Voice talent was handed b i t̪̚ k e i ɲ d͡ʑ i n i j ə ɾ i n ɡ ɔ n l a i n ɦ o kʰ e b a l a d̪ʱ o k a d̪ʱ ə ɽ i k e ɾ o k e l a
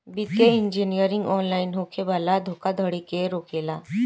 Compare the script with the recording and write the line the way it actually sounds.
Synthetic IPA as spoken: b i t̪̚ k e i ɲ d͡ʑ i n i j ə ɾ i ŋ ɡ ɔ n l a i n ɦ o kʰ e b a l a d̪ʱ o k a d̪ʱ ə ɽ i k e ɾ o k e l a